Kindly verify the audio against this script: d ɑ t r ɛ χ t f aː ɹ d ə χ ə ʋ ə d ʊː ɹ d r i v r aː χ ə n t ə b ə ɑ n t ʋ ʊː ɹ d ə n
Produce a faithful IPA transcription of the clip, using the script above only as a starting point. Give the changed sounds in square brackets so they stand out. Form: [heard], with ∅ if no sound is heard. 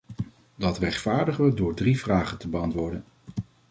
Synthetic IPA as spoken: d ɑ t r ɛ χ t f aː ɹ d ə χ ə ʋ ə d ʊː ɹ d r i v r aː χ ə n t ə b ə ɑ n t ʋ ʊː ɹ d ə n